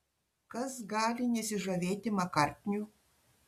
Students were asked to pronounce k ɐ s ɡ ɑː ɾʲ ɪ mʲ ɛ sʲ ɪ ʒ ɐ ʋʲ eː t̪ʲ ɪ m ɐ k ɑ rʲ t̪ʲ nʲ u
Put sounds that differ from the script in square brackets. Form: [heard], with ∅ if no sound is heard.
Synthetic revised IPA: k ɐ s ɡ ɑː [lʲ] ɪ [nʲ] ɛ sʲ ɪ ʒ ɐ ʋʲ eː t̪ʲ ɪ m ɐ k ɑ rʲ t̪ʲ nʲ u